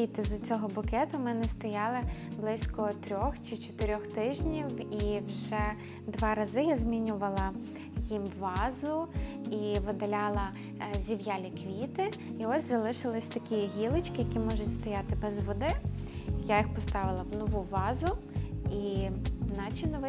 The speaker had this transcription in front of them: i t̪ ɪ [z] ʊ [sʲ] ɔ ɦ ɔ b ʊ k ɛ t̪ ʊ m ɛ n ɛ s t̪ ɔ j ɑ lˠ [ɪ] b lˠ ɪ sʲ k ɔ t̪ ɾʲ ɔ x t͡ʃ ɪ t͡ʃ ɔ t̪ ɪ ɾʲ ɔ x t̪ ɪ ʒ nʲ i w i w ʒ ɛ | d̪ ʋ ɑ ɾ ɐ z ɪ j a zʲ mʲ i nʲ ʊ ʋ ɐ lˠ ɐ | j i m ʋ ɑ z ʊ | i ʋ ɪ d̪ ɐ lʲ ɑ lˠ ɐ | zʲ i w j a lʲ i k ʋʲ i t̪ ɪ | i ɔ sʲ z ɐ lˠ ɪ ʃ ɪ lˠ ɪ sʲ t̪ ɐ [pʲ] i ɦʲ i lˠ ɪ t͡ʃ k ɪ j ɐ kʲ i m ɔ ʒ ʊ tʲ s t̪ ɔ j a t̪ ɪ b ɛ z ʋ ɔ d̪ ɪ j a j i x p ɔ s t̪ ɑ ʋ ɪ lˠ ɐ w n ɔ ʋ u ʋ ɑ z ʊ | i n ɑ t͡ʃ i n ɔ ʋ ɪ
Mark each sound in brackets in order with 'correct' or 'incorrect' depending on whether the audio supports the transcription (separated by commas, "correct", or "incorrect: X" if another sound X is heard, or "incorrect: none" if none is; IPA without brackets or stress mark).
correct, incorrect: t͡sʲ, correct, incorrect: kʲ